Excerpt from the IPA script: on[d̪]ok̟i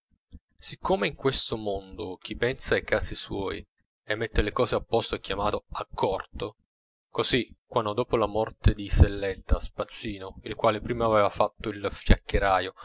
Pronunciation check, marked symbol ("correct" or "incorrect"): correct